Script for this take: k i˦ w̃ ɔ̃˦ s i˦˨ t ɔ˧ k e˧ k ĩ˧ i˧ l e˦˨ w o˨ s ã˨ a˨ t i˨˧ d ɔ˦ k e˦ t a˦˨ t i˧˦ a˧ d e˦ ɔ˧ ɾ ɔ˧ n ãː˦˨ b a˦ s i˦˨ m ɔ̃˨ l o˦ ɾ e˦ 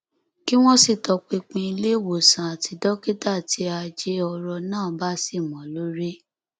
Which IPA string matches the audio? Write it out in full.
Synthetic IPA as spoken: k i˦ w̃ ɔ̃˦ s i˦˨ t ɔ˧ k͡p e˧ k͡p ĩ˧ i˧ l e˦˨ w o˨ s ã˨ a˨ t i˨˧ d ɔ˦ k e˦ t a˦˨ t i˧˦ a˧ d͡ʒ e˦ ɔ˧ ɾ ɔ˧ n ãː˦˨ b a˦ s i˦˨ m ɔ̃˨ l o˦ ɾ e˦

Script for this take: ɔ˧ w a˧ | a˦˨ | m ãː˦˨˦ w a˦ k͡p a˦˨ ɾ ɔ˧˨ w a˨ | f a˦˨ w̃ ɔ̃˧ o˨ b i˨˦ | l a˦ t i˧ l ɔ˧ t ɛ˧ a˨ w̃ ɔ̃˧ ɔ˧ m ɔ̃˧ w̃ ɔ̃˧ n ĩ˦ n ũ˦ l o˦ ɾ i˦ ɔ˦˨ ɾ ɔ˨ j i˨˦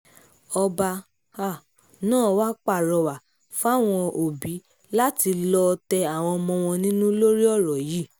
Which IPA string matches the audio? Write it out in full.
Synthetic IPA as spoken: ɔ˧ b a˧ | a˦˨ | n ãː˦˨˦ w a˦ k͡p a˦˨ ɾ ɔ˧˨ w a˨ | f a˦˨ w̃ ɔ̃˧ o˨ b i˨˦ | l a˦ t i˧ l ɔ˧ t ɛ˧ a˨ w̃ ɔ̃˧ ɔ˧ m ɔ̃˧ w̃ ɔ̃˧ n ĩ˦ n ũ˦ l o˦ ɾ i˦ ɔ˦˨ ɾ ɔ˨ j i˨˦

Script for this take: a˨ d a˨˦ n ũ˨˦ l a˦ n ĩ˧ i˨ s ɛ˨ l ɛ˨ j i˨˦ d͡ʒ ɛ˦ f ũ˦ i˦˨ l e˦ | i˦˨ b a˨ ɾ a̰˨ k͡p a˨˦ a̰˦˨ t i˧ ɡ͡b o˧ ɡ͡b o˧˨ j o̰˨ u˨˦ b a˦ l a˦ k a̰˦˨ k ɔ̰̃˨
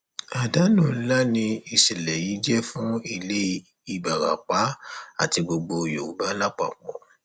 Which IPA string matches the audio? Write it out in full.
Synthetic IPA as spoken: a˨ d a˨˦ n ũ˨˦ l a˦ n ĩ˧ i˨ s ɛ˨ l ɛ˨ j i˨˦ d͡ʒ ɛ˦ f ũ˦ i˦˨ l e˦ | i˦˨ b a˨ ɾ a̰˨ k͡p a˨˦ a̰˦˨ t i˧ ɡ͡b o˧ ɡ͡b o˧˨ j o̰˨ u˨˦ b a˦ l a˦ k͡p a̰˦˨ k͡p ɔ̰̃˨

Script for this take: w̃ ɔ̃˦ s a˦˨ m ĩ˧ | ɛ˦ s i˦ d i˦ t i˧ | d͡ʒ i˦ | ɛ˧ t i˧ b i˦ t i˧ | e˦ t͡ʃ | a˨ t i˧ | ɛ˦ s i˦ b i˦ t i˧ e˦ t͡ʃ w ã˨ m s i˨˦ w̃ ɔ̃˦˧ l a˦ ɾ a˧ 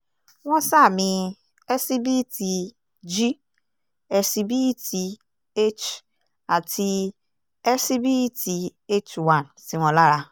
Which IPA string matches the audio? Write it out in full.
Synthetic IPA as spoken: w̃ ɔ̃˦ s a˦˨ m ĩ˧ | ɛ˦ s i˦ b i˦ t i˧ | d͡ʒ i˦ | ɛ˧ s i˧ b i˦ t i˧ | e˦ t͡ʃ | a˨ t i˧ | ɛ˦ s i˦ b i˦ t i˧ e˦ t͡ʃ w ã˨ n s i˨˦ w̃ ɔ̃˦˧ l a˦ ɾ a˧

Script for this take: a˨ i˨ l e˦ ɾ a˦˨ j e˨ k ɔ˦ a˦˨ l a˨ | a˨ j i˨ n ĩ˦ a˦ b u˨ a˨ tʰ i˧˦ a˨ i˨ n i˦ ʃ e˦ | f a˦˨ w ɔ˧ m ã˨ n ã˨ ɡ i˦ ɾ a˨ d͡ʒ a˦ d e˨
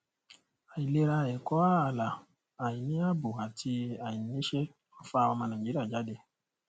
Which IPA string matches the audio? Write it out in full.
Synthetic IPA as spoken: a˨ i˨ l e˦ ɾ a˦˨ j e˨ k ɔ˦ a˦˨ l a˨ | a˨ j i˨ n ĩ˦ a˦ b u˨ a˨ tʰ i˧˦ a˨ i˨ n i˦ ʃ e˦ | f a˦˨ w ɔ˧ m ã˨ n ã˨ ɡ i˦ ɾ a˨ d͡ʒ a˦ d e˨

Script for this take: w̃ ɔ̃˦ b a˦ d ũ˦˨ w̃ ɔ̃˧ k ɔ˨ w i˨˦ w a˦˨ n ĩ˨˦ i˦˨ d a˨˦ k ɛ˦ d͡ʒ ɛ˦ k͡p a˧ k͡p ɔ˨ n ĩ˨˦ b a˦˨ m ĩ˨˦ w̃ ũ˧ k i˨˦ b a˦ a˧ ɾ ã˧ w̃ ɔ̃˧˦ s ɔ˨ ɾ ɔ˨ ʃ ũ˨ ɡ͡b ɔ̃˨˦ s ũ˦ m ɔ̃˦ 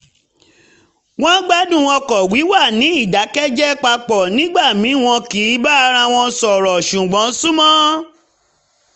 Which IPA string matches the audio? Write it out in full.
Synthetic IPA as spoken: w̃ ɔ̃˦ ɡ͡b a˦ d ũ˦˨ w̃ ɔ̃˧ k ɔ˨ w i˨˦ w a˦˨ n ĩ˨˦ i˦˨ d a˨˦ k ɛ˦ d͡ʒ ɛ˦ k͡p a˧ k͡p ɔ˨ n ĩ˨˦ ɡ͡b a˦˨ m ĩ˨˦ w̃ ɔ̃˧ k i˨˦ b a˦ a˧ ɾ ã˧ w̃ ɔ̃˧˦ s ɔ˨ ɾ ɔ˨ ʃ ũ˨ ɡ͡b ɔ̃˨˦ s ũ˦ m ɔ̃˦

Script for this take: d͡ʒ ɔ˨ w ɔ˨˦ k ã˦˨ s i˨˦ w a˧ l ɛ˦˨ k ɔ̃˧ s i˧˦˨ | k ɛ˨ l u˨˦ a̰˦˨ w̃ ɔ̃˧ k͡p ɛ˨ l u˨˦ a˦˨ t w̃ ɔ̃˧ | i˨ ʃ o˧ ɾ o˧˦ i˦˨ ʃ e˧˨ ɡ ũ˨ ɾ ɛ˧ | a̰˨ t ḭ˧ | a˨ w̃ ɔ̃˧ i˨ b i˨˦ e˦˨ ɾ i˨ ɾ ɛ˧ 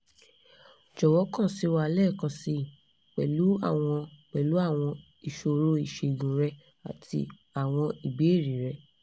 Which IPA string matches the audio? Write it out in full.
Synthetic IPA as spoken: d͡ʒ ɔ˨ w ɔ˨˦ k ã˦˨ s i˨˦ w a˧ l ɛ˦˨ k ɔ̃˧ s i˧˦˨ | k͡p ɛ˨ l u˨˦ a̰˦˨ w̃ ɔ̃˧ k͡p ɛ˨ l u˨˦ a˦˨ w̃ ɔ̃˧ | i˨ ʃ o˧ ɾ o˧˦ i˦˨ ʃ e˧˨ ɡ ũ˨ ɾ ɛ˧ | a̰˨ t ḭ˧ | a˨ w̃ ɔ̃˧ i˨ b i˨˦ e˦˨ ɾ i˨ ɾ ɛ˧

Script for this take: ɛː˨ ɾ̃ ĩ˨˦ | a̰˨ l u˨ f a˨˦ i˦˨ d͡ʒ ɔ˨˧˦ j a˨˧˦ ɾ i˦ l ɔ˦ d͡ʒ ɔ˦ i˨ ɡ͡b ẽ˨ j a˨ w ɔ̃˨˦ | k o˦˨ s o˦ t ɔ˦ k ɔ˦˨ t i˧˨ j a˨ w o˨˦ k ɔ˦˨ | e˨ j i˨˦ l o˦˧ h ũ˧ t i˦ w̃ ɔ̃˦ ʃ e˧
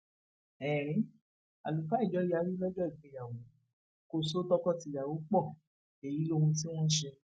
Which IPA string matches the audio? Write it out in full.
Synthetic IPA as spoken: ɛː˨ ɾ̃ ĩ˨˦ | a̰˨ l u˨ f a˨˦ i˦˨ d͡ʒ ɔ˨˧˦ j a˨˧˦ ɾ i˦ l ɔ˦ d͡ʒ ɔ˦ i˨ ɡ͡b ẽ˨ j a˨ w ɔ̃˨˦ | k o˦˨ s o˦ t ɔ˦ k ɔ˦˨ t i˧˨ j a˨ w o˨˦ k͡p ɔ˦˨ | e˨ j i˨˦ l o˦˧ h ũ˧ t i˦ w̃ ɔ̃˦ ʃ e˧

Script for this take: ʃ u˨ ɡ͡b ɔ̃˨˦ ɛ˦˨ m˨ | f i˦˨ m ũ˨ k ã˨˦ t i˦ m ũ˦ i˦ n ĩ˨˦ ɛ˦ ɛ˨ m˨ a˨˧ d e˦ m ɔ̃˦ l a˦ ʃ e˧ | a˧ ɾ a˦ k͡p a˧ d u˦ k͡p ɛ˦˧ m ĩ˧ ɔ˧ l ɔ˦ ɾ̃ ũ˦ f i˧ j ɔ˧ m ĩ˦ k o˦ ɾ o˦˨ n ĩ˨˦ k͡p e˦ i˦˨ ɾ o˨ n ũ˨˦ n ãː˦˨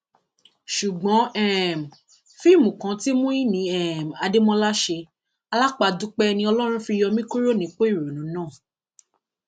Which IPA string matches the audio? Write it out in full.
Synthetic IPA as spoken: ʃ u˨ ɡ͡b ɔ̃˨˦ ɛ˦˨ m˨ | f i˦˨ m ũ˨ k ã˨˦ t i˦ m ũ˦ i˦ n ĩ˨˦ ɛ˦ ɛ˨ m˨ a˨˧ d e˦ m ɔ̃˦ l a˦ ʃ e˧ | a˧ l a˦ k͡p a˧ d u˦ k͡p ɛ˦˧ n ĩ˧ ɔ˧ l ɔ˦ ɾ̃ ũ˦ f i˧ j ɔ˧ m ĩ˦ k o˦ ɾ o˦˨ n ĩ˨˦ k͡p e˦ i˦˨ ɾ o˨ n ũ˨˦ n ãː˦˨

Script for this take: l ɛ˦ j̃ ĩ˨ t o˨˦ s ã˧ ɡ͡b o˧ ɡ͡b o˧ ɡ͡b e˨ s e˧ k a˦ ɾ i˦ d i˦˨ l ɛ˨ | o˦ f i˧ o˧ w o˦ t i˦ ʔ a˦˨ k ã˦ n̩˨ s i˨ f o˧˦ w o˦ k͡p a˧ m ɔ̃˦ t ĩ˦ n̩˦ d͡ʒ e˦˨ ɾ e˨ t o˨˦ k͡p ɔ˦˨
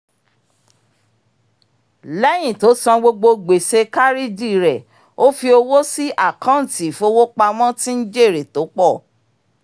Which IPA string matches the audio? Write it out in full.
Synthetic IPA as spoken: l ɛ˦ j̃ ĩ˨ t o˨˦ s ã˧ ɡ͡b o˧ ɡ͡b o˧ ɡ͡b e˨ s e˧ k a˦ ɾ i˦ d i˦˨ ɾ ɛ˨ | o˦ f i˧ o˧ w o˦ s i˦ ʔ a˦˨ k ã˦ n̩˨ t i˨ f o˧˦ w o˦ k͡p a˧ m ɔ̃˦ t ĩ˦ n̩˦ d͡ʒ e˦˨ ɾ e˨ t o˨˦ k͡p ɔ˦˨

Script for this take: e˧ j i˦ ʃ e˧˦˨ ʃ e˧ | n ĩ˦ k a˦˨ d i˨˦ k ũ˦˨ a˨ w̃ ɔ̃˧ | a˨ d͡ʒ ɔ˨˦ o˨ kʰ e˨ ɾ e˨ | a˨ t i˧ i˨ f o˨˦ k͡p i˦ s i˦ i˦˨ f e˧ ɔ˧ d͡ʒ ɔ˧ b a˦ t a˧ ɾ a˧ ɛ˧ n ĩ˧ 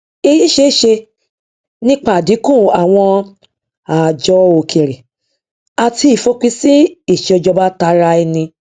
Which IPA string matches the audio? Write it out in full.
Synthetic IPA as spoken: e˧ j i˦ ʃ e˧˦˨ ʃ e˧ | n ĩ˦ k͡p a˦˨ d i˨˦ k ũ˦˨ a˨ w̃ ɔ̃˧ | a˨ d͡ʒ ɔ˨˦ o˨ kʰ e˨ ɾ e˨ | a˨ t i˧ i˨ f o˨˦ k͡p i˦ s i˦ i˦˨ ʃ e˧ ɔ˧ d͡ʒ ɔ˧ b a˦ t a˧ ɾ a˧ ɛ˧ n ĩ˧

